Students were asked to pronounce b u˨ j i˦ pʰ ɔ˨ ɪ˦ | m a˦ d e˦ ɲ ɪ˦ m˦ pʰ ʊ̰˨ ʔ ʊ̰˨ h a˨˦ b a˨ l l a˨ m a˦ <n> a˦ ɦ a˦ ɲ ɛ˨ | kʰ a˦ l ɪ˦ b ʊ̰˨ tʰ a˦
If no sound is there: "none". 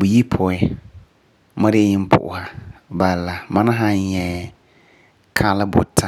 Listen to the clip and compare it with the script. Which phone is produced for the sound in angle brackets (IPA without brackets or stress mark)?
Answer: n